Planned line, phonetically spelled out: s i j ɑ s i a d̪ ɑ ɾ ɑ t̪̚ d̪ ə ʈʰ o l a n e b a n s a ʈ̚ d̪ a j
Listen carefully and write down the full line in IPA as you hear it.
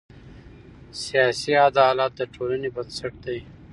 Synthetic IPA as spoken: s i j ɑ s i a d̪ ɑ l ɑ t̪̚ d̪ ə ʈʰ o l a n e b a n s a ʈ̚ d̪ a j